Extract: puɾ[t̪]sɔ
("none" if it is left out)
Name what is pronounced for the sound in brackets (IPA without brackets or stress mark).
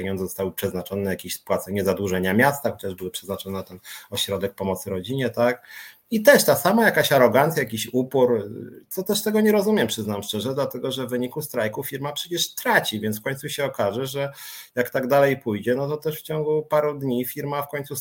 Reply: t̪